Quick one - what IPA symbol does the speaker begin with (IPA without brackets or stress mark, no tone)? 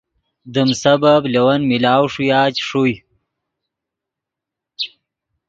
d̪